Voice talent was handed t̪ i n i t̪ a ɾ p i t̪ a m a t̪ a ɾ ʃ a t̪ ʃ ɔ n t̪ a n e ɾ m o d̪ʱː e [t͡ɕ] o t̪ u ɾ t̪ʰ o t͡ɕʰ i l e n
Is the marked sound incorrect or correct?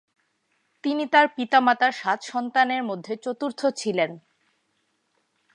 correct